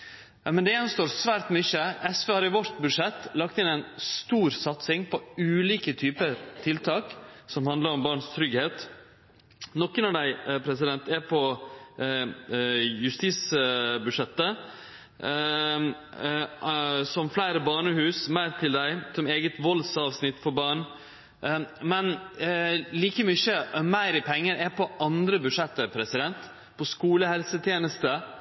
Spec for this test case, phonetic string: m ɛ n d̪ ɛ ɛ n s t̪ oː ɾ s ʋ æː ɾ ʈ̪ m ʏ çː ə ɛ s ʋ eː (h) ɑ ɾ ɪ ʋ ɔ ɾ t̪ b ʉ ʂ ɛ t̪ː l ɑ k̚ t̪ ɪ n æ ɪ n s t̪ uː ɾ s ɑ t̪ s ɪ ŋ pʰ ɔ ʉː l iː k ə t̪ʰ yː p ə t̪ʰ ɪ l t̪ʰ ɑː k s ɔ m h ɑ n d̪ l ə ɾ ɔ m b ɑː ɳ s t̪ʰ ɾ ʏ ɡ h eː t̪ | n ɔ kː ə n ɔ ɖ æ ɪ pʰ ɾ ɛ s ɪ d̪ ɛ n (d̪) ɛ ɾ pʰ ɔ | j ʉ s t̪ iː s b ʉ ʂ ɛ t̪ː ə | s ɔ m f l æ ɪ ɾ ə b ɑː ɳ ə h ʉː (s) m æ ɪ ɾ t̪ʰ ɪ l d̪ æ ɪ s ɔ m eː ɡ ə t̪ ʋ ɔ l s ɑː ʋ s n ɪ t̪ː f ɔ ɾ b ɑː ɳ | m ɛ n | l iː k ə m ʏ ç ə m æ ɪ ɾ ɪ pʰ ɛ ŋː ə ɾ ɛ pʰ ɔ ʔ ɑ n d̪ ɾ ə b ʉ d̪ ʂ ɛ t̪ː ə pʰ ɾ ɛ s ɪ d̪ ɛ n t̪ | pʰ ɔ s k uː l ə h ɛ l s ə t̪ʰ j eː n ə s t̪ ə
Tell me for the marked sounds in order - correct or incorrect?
correct, incorrect: t̪, correct

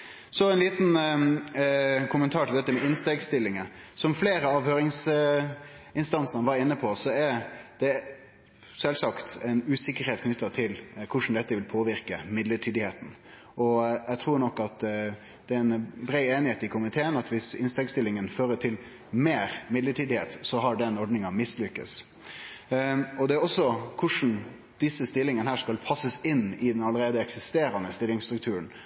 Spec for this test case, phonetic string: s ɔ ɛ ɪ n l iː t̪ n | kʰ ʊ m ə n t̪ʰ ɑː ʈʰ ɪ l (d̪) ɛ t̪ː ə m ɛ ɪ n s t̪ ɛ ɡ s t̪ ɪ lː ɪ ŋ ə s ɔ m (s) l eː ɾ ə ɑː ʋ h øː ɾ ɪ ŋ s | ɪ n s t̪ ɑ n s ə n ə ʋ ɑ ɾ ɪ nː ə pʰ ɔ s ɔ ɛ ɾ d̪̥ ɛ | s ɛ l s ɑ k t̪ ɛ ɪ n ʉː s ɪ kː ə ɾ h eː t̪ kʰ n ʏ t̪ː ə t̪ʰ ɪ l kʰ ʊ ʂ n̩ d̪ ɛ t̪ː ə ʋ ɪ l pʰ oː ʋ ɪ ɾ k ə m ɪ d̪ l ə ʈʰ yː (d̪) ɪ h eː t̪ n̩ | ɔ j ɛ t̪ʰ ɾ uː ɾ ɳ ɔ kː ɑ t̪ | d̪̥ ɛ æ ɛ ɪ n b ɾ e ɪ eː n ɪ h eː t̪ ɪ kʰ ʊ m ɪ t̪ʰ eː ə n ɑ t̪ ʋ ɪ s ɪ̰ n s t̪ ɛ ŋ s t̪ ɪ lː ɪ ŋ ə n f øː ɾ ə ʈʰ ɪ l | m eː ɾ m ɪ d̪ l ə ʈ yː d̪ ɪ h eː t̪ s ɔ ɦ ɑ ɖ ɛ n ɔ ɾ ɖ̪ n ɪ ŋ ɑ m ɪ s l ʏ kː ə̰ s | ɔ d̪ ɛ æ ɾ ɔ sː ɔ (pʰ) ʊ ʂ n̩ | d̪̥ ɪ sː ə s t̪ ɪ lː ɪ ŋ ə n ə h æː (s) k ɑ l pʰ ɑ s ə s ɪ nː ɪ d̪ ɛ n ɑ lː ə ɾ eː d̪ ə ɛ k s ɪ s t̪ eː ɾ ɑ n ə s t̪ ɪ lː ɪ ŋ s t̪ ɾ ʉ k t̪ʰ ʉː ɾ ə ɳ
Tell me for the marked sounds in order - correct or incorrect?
correct, incorrect: f, correct, incorrect: kʰ, incorrect: ʂ

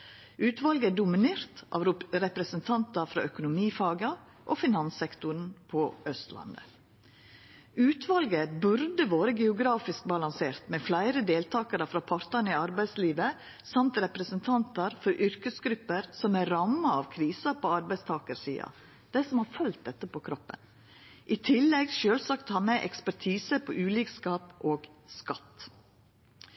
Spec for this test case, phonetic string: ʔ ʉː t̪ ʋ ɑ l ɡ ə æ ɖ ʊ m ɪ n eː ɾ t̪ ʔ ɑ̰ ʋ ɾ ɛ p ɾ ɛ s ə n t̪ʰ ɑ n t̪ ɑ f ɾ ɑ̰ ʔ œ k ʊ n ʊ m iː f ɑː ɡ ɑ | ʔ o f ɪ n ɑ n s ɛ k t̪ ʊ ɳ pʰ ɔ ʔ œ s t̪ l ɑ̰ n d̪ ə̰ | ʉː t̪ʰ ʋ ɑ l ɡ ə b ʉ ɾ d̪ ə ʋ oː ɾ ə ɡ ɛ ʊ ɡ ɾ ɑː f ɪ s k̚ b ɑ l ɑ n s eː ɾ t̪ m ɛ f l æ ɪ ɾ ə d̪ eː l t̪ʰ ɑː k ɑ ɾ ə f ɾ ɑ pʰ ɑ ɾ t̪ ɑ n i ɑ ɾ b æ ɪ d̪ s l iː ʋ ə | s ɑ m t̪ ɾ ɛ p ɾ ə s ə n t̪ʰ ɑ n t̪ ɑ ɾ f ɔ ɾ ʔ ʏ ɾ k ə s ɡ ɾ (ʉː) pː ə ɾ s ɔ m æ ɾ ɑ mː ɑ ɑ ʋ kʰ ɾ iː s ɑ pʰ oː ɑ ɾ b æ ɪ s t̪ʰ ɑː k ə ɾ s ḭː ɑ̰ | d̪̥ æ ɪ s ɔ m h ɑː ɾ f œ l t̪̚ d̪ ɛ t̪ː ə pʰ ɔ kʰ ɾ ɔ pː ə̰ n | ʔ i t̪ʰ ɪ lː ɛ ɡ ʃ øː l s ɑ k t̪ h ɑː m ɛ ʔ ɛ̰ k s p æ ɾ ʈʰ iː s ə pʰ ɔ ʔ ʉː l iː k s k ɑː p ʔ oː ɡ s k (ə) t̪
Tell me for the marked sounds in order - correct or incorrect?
incorrect: ʉ, incorrect: ɑ

